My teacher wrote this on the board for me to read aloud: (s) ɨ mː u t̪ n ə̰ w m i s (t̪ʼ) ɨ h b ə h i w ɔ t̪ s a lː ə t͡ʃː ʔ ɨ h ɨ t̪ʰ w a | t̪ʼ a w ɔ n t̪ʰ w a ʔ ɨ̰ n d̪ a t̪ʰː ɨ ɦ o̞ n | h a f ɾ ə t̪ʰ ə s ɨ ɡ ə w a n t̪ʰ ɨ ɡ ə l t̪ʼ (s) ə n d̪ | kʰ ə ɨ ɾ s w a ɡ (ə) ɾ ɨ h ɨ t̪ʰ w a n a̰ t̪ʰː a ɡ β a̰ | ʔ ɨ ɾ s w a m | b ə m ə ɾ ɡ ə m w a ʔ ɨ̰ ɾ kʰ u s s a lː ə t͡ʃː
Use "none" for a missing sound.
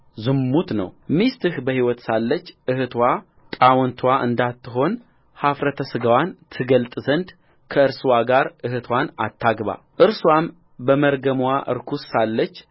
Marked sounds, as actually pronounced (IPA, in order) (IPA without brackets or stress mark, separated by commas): z, t̪, z, a